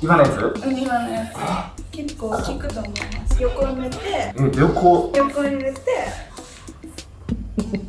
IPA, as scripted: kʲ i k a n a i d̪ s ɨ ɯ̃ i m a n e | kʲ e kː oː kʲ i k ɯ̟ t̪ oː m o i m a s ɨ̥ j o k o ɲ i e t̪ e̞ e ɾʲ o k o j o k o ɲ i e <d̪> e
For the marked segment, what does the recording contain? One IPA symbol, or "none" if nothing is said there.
t̪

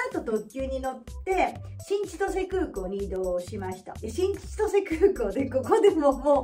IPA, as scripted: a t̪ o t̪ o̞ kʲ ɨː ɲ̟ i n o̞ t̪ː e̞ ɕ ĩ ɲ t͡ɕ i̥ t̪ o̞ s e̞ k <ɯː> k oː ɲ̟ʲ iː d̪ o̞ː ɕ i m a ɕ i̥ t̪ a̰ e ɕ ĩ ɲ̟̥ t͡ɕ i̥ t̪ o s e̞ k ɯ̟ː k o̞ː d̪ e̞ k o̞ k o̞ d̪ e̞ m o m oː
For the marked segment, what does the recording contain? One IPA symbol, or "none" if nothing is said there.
ɯː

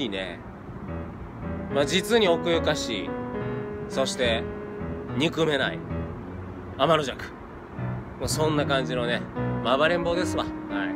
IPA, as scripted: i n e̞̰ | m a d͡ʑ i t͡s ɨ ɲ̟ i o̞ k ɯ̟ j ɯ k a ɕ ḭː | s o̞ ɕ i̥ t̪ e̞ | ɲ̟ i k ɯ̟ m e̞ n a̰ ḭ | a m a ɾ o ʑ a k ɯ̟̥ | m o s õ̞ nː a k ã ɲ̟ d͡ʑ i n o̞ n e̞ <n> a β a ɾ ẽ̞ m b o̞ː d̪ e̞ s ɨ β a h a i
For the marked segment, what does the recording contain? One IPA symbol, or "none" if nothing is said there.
m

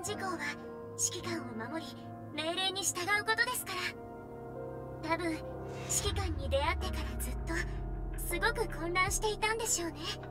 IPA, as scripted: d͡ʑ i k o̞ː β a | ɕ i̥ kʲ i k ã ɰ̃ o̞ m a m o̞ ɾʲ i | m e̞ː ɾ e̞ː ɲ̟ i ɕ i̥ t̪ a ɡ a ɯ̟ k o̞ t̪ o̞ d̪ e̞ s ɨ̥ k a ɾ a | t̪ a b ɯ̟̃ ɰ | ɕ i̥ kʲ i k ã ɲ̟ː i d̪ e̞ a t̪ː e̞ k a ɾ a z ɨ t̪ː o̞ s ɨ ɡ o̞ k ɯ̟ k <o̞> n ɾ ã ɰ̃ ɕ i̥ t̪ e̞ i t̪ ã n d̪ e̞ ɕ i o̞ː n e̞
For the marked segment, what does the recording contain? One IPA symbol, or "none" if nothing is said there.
õ̞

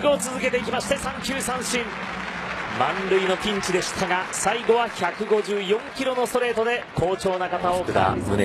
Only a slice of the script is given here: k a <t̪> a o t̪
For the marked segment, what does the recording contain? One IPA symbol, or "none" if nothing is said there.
t̪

